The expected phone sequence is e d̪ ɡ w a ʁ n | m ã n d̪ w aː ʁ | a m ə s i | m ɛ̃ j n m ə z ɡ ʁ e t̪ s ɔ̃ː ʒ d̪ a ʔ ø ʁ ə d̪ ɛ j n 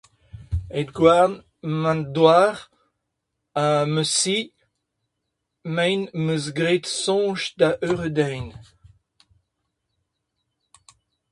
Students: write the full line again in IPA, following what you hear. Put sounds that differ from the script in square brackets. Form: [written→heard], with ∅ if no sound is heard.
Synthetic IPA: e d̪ ɡ w a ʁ n | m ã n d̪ w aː ʁ | a m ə s i | m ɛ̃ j n m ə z ɡ ʁ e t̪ s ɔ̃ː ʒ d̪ a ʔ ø ʁ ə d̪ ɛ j n